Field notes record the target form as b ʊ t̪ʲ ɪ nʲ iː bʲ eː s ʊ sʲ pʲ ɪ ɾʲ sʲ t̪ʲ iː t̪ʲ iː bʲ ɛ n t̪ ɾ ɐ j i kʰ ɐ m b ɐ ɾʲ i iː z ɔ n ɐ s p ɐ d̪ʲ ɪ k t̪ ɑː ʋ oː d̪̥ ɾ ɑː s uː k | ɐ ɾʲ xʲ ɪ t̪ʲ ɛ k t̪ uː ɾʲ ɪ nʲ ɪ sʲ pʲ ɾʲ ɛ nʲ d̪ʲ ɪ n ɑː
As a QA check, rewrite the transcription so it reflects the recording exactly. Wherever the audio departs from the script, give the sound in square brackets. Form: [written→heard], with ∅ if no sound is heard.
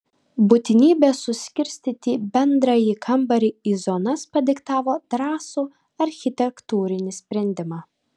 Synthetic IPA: b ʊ t̪ʲ ɪ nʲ iː bʲ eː s ʊ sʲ [pʲ→kʲ] ɪ ɾʲ sʲ t̪ʲ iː t̪ʲ iː bʲ ɛ n [t̪→d̪] ɾ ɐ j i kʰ ɐ m b ɐ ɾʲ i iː z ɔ n ɐ s p ɐ d̪ʲ ɪ k t̪ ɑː ʋ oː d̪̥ ɾ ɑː s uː [k→∅] | ɐ ɾʲ xʲ ɪ t̪ʲ ɛ k t̪ uː ɾʲ ɪ nʲ ɪ sʲ pʲ ɾʲ ɛ nʲ d̪ʲ ɪ [n→m] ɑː